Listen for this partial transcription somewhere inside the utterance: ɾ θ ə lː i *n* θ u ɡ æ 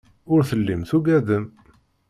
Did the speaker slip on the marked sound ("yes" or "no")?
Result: yes